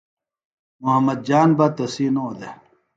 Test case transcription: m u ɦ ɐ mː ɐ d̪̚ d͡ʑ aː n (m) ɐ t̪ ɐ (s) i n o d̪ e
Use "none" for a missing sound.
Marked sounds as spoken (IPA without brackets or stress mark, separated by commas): b, s